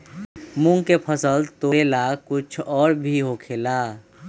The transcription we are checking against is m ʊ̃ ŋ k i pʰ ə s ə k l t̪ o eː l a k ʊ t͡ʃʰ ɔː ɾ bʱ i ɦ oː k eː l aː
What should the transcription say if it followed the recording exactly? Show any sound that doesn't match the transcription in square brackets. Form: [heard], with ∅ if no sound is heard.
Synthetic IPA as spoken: m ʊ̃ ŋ k [e] pʰ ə s ə [∅] l t̪ o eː l a k ʊ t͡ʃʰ ɔː ɾ bʱ i ɦ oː [kʰ] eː l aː